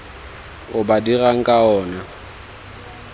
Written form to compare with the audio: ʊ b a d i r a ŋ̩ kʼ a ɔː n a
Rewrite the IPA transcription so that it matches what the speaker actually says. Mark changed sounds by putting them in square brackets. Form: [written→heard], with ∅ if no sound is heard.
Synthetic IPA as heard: ʊ b a d i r a ŋ̩ kʼ a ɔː n a